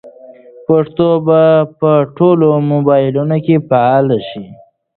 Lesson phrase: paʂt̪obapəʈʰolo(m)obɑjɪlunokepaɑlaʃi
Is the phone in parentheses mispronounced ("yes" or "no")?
no